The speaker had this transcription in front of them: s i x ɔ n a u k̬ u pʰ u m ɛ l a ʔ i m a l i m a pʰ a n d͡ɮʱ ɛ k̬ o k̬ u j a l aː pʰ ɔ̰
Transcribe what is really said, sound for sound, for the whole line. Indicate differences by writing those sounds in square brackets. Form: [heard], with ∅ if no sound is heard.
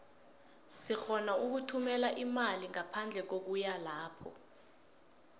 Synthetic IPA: s i x ɔ n a u k̬ u [tʰ] u m ɛ l a ʔ i m a l i [ŋ] a pʰ a n d͡ɮʱ ɛ k̬ o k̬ u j a l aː pʰ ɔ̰